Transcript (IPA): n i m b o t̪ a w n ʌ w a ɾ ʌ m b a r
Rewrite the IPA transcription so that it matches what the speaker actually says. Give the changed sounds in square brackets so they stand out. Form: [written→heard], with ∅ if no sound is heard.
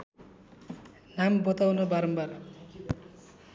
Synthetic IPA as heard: n [i→a] m b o t̪ a w n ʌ [w→b] a ɾ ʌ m b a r